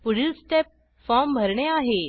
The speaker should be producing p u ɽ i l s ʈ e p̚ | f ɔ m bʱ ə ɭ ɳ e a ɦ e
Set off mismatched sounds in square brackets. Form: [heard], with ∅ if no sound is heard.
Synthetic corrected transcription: p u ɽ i l s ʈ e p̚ | f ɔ m bʱ ə [ɾ] ɳ e a ɦ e